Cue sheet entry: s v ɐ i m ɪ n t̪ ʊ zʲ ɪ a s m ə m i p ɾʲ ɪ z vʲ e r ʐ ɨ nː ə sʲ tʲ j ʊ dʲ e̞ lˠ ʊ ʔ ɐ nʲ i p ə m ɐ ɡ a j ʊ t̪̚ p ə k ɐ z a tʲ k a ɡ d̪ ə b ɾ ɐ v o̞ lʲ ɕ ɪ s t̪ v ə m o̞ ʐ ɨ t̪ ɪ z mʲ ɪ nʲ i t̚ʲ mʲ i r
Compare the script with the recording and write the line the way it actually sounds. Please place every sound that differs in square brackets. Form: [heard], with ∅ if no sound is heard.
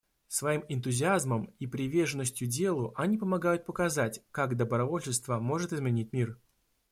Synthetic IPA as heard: s v ɐ i m ɪ n t̪ ʊ zʲ ɪ a [z] m ə m i p ɾʲ ɪ [∅] vʲ e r ʐ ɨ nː ə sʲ tʲ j ʊ dʲ e̞ lˠ ʊ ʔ ɐ nʲ i p ə m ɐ ɡ a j ʊ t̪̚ p ə k ɐ z a tʲ k a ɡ d̪ ə b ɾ ɐ v o̞ lʲ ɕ ɪ s t̪ v ə m o̞ ʐ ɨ t̪ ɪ z mʲ ɪ nʲ i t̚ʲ mʲ i r